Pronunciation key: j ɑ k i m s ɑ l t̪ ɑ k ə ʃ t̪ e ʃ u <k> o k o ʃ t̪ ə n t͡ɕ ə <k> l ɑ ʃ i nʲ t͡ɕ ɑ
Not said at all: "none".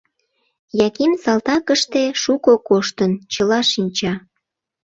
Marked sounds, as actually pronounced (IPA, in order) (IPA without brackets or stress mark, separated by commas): k, none